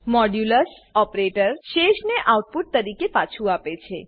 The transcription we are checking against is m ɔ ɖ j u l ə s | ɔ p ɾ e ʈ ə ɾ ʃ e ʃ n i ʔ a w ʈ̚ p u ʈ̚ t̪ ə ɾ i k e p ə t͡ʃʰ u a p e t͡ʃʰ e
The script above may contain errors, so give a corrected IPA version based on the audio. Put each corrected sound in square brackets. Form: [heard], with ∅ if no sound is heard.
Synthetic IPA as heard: m ɔ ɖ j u l ə s | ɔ p ɾ e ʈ ə ɾ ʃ e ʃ n [e] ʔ a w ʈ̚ p u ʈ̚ t̪ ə ɾ i k e p [a] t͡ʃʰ u a p e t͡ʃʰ e